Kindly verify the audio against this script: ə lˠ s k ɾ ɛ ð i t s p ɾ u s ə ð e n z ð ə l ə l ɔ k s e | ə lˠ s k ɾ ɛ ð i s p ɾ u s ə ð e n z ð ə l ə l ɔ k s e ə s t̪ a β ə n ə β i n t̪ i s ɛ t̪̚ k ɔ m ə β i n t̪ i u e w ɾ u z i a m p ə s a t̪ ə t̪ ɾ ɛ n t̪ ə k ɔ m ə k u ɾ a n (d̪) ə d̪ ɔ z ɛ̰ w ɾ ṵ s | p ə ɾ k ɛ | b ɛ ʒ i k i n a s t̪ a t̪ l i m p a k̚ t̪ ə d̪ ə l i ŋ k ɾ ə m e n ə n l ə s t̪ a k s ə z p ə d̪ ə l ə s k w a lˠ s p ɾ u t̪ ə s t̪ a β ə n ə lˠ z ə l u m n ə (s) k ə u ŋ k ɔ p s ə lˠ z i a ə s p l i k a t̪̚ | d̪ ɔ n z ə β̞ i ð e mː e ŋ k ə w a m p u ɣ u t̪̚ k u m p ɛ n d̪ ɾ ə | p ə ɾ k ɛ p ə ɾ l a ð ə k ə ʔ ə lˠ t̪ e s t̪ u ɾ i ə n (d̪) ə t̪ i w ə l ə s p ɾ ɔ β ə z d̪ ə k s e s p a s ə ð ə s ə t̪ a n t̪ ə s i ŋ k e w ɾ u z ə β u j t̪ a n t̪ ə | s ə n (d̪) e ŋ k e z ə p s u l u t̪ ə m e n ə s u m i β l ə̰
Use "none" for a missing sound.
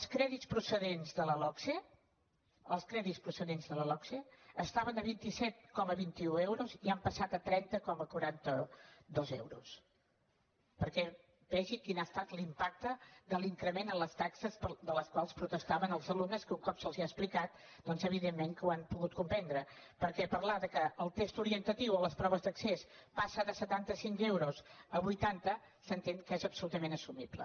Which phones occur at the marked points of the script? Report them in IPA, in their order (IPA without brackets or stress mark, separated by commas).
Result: t̪, s, t̪, t̪